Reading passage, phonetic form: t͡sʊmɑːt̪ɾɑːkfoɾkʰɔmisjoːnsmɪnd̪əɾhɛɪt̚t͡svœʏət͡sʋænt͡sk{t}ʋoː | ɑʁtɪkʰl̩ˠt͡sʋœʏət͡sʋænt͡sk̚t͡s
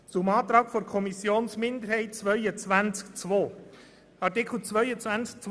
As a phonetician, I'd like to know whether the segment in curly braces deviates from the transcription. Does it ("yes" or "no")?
yes